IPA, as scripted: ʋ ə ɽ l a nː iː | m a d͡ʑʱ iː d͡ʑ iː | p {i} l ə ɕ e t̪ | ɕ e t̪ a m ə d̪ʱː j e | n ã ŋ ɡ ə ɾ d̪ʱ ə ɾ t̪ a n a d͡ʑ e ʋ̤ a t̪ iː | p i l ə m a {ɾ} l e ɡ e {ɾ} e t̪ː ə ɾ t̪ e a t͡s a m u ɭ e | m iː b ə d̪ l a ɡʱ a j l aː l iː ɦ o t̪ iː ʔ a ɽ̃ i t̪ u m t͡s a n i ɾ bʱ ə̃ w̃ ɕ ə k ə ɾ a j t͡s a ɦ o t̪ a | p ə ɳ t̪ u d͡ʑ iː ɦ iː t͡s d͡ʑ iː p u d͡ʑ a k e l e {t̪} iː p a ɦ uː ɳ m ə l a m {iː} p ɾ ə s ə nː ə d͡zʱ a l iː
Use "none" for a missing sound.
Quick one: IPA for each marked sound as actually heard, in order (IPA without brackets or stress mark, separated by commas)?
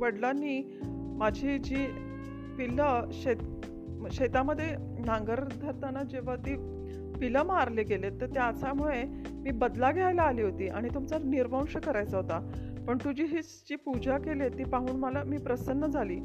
i, ɾ, l, t̪, iː